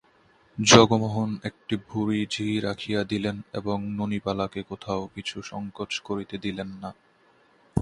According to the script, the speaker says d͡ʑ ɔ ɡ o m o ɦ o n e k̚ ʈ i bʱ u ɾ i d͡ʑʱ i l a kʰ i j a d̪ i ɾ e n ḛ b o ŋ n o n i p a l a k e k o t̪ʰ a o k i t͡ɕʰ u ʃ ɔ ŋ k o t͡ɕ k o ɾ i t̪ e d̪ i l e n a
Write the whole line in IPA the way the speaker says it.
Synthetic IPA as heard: d͡ʑ ɔ ɡ o m o ɦ o n e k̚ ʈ i bʱ u ɾ i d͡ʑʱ i ɾ a kʰ i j a d̪ i l e n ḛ b o ŋ n o n i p a l a k e k o t̪ʰ a o k i t͡ɕʰ u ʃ ɔ ŋ k o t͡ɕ k o ɾ i t̪ e d̪ i l e nː a